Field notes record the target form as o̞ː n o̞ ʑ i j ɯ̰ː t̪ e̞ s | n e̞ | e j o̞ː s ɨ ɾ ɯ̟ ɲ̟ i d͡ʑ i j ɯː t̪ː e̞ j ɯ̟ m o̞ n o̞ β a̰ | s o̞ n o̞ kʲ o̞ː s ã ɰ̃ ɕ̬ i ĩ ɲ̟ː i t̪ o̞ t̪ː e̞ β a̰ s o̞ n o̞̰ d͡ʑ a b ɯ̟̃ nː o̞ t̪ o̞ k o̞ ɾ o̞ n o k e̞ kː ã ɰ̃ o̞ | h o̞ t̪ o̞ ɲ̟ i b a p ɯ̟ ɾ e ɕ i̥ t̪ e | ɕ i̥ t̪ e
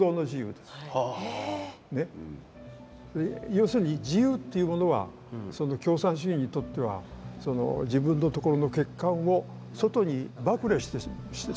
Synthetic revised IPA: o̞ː n o̞ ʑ i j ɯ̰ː d̪ e̞ s | n e̞ | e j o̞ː s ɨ ɾ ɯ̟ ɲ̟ i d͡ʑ i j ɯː t̪ː e̞ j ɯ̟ m o̞ n o̞ β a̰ | s o̞ n o̞ kʲ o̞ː s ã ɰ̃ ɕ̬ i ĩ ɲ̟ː i t̪ o̞ t̪ː e̞ β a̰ s o̞ n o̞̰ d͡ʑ i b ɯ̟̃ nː o̞ t̪ o̞ k o̞ ɾ o̞ n o k e̞ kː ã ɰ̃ o̞ | s o̞ t̪ o̞ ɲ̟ i b a k ɯ̟ ɾ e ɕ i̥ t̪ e | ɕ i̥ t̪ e